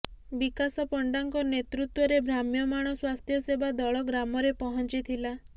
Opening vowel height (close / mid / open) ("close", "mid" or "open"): close